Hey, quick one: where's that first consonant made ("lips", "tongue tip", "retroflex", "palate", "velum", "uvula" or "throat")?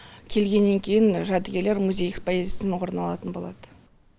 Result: velum